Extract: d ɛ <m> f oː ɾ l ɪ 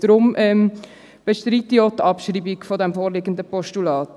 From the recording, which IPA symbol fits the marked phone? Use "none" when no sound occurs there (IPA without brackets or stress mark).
m